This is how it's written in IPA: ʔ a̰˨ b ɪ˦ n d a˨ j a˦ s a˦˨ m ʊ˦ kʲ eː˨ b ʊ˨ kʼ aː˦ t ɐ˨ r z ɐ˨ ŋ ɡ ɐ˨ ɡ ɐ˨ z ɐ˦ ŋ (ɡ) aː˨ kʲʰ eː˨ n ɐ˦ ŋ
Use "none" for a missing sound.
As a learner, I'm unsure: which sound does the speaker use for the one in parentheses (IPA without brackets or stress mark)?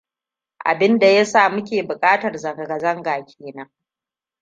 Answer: ɡ